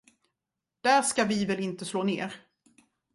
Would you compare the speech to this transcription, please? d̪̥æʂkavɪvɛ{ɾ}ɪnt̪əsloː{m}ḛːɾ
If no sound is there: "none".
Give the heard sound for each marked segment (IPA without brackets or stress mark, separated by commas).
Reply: l, n